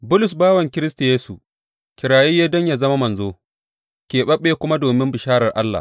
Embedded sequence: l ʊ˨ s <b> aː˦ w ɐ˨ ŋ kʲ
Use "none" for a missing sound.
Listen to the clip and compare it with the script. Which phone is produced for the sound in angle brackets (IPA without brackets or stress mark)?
b